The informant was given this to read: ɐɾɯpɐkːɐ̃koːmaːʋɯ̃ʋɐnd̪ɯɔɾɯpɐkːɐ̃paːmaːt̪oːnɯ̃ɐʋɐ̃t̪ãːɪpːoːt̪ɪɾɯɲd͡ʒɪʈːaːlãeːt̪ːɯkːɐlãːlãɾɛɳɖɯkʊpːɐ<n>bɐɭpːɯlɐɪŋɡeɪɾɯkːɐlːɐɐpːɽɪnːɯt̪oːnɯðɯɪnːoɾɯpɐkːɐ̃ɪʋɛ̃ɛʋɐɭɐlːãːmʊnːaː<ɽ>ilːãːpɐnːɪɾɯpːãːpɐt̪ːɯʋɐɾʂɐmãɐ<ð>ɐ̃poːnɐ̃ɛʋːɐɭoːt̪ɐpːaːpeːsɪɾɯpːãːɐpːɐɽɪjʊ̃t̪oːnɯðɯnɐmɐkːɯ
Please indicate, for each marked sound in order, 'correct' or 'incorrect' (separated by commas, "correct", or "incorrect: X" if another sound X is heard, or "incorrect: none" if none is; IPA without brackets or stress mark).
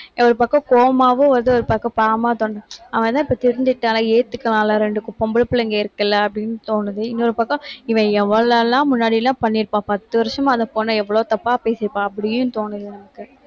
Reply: incorrect: m, correct, correct